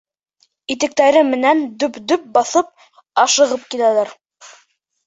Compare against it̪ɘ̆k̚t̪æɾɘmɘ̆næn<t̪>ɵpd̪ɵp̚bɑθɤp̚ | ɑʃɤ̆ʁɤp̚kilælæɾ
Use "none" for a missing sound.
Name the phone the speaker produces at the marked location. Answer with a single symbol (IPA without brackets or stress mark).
d̪